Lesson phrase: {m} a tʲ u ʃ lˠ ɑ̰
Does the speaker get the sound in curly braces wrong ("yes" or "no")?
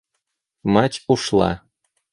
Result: no